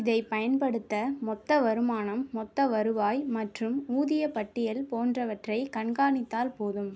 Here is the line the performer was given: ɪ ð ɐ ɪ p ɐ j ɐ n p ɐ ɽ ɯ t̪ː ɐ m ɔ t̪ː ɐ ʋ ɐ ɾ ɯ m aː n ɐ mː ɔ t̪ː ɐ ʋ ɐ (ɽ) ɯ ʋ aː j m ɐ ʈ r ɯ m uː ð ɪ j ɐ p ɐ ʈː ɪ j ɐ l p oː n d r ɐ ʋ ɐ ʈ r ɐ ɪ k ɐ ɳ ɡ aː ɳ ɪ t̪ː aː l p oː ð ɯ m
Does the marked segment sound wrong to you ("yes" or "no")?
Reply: yes